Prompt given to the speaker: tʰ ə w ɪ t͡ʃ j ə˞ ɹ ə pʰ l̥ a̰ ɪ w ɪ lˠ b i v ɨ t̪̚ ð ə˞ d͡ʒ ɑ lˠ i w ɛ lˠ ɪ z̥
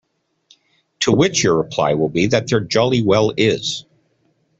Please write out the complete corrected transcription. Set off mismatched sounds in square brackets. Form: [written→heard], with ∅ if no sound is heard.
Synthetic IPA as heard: tʰ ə w ɪ t͡ʃ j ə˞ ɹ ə pʰ l̥ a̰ ɪ w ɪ lˠ b i [v→ð] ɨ t̪̚ ð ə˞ d͡ʒ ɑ lˠ i w ɛ lˠ ɪ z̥